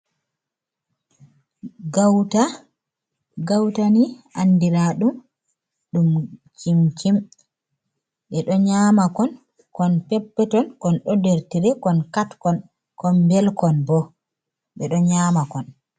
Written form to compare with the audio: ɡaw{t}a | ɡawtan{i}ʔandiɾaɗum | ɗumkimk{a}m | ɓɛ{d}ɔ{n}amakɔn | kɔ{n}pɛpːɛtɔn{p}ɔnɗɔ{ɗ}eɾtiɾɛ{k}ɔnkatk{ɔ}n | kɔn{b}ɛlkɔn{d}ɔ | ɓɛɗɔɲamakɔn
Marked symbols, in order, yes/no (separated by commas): yes, yes, no, no, no, yes, no, no, yes, yes, yes, no